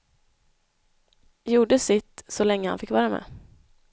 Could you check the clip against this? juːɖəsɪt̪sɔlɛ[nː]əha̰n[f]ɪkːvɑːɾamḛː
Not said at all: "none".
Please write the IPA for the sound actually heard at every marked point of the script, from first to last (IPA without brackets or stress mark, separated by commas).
ŋː, f